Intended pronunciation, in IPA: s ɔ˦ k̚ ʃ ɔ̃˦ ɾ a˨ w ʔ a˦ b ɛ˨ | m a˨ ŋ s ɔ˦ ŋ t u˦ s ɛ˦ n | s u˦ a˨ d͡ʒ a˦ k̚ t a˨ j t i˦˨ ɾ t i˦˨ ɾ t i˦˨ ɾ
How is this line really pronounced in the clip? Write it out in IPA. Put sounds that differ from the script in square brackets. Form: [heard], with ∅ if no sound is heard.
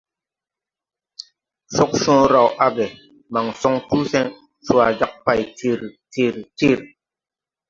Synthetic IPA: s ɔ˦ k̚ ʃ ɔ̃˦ ɾ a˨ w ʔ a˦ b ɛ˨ | m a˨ ŋ s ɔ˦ ŋ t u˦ s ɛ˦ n | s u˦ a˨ d͡ʒ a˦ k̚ [p] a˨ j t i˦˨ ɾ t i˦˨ ɾ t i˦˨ ɾ